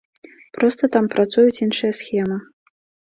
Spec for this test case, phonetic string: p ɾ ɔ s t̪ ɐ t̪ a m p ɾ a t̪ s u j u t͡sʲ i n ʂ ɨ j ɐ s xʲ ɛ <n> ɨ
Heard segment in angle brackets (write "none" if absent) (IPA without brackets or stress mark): m